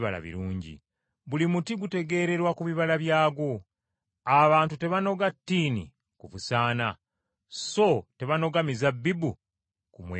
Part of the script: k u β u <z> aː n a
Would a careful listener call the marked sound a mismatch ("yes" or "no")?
yes